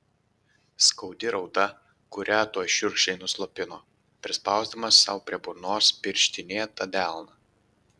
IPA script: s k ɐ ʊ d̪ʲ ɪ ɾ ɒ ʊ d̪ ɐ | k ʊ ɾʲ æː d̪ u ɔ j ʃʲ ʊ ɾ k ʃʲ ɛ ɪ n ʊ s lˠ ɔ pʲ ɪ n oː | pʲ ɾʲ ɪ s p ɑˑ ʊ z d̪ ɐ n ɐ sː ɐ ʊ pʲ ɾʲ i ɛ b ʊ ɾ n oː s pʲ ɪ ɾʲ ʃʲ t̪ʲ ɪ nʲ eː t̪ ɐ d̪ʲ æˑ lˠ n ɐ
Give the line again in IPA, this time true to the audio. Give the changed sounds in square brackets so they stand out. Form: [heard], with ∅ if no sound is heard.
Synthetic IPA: s k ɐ ʊ d̪ʲ ɪ ɾ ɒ ʊ d̪ ɐ | k ʊ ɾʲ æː [t̪] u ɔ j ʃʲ ʊ ɾ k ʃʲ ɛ ɪ n ʊ s lˠ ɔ pʲ ɪ n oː | pʲ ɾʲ ɪ s p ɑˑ ʊ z d̪ ɐ [m] ɐ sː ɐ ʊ pʲ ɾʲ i ɛ b ʊ ɾ n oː s pʲ ɪ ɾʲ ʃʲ t̪ʲ ɪ nʲ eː t̪ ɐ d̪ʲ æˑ lˠ n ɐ